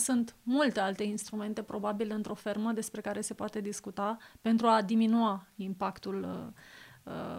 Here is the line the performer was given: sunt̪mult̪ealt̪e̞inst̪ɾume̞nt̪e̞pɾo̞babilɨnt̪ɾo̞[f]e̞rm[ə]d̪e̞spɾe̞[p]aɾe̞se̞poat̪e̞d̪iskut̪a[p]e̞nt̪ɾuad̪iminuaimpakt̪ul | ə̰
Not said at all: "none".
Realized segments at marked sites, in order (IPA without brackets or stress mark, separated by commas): f, ə, k, p